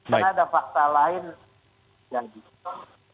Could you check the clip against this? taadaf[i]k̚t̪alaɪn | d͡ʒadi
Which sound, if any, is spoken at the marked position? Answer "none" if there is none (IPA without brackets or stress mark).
a